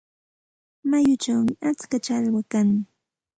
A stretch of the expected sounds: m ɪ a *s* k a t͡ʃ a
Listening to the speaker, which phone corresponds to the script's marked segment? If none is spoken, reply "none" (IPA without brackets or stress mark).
t͡s